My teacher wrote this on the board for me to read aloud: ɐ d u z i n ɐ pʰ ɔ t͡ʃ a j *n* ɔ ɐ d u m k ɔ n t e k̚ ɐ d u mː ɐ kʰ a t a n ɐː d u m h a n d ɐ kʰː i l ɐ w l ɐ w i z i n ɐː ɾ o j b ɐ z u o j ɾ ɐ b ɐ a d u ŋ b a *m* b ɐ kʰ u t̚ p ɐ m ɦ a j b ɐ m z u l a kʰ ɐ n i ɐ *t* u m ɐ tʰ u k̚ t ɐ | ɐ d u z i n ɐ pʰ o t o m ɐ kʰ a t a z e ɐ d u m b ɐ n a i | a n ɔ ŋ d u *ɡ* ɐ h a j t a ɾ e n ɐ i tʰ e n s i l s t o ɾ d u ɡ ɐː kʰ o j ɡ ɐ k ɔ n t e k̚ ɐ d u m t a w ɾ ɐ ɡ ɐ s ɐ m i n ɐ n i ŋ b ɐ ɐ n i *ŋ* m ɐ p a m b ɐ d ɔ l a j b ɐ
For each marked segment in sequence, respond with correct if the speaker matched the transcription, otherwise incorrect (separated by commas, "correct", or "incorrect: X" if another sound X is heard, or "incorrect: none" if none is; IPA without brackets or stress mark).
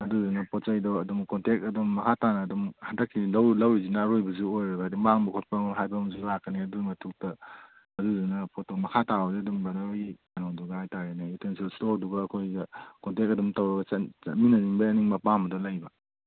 incorrect: d, incorrect: ŋ, incorrect: d, correct, correct